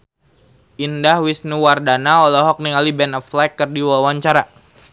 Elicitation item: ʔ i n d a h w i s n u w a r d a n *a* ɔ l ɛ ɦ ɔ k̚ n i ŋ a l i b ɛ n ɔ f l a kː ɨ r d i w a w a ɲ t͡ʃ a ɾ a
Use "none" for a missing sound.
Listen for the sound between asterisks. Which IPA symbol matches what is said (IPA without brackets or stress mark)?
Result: a